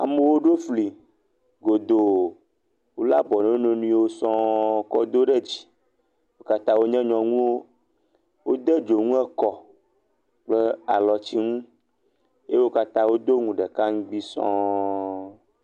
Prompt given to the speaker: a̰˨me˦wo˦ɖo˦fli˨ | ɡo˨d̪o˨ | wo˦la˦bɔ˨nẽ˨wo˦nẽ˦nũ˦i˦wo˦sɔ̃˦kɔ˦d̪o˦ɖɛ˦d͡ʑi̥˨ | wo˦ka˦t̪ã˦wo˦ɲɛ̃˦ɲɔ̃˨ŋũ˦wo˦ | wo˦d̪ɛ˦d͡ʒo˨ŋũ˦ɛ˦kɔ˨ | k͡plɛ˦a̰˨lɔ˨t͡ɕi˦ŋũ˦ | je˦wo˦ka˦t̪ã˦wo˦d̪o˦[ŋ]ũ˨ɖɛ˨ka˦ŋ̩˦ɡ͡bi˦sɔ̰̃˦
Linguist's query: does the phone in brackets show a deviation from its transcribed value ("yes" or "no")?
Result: no